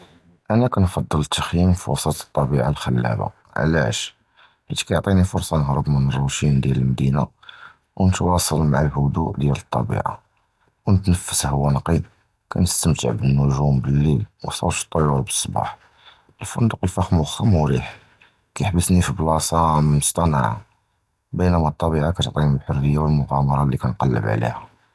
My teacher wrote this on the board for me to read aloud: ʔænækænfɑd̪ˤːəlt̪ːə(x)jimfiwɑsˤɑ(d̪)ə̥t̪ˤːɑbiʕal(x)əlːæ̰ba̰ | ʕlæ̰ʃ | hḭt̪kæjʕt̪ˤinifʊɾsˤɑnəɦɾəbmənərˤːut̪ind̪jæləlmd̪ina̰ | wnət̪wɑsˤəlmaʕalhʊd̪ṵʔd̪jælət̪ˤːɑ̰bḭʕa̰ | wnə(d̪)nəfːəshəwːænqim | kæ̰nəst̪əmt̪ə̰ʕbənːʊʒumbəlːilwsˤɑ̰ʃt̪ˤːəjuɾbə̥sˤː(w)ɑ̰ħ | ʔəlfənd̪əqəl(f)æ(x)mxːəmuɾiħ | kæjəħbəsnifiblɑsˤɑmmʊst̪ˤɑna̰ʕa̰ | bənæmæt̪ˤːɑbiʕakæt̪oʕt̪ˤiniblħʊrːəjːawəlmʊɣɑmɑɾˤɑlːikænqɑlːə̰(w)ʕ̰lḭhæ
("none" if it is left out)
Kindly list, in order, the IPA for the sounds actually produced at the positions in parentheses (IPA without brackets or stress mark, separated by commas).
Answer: x, t̪, x, t̪, b, f, x, b